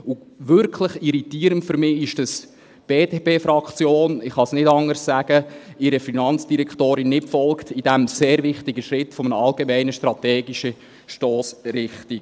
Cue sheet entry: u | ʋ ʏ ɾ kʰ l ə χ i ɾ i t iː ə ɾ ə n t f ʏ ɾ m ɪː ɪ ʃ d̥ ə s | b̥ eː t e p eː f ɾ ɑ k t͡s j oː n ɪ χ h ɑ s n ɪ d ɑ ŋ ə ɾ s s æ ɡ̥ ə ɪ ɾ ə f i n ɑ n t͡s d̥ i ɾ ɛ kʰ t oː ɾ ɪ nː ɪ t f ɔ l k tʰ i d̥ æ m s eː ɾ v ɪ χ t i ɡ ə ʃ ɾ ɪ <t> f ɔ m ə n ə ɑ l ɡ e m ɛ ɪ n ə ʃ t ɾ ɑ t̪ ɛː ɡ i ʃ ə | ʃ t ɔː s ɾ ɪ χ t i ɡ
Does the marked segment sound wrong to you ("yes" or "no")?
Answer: no